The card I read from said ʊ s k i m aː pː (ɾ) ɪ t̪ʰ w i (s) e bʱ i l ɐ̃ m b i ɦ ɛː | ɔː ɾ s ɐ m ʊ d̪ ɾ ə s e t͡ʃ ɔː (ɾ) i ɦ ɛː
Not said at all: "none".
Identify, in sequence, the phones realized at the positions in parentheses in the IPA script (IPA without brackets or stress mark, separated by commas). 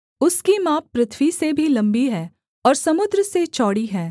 ɾ, s, ɽ